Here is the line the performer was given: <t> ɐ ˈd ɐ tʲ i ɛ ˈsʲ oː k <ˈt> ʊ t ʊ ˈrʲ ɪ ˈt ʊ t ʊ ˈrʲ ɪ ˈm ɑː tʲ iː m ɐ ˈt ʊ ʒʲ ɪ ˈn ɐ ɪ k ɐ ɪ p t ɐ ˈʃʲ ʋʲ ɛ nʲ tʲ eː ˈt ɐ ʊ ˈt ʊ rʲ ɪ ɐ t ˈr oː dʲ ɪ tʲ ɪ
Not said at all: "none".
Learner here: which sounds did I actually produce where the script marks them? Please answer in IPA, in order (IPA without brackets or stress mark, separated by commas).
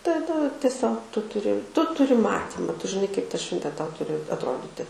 t, t